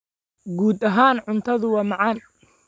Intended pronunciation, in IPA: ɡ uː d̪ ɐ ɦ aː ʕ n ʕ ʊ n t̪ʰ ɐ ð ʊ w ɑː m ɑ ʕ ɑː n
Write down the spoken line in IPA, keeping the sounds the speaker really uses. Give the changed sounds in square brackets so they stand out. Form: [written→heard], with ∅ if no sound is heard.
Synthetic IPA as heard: ɡ uː d̪ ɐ ɦ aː [ʕ→∅] n ʕ ʊ n t̪ʰ ɐ ð ʊ w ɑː m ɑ ʕ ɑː n